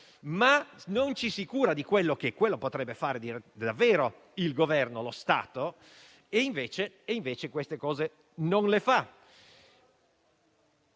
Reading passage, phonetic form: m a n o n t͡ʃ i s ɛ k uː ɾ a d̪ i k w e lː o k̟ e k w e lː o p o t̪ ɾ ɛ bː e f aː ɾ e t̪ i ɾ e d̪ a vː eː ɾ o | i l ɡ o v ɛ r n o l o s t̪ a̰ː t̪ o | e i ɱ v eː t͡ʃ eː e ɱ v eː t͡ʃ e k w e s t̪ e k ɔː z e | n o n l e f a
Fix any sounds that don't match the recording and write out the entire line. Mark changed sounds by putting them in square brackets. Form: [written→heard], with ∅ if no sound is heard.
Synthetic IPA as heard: m a n o n t͡ʃ i s [ɛ→i] k uː ɾ a d̪ i k w e lː o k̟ e k w e lː o p o t̪ ɾ ɛ bː e f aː ɾ e [t̪→d̪] i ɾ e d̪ a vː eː ɾ o | i l ɡ o v ɛ r n o l o s t̪ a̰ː t̪ o | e i ɱ v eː t͡ʃ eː [e→i] ɱ v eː t͡ʃ e k w e s t̪ e k ɔː z e | n o n l e f a